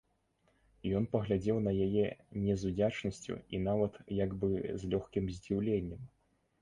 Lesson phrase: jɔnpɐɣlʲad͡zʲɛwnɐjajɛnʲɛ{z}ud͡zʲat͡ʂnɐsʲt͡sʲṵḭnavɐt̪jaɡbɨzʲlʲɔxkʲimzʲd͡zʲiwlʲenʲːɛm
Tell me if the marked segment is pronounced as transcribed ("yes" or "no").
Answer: yes